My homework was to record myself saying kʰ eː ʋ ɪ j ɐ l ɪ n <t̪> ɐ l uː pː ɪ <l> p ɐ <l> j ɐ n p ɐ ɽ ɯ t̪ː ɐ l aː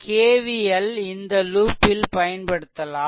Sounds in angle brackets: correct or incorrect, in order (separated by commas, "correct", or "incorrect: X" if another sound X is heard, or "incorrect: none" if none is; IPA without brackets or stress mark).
incorrect: d̪, correct, incorrect: none